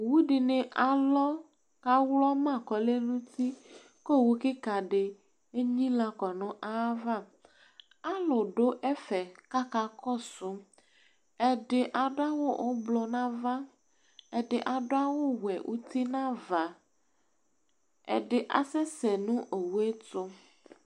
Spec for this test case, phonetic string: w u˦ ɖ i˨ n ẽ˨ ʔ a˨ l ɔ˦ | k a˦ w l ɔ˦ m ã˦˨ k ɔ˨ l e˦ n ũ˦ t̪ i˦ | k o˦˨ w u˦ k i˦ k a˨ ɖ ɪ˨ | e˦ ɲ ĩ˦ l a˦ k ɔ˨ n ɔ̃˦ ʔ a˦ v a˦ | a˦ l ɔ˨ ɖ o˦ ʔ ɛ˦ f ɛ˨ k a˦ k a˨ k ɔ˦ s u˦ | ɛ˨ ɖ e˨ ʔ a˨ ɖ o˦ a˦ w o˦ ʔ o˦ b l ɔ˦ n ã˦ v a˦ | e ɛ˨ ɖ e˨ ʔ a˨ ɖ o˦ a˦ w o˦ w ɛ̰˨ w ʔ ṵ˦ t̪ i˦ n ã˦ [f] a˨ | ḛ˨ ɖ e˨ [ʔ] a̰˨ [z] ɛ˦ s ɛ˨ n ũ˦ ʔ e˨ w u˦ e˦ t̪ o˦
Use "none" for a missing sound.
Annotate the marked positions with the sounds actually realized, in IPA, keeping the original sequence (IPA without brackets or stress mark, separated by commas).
v, ʔ, s